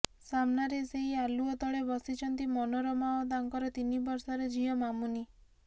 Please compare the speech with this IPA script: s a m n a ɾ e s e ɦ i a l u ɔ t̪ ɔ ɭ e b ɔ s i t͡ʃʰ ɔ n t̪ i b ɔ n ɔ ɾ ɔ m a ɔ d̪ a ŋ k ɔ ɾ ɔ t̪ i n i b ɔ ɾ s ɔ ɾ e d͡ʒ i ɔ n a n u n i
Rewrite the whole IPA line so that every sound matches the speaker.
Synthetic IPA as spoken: s a m n a ɾ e s e ɦ i a l u ɔ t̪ ɔ ɭ e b ɔ s i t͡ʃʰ ɔ n t̪ i m ɔ n ɔ ɾ ɔ m a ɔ d̪ a ŋ k ɔ ɾ ɔ t̪ i n i b ɔ ɾ s ɔ ɾ e d͡ʒ i ɔ m a m u n i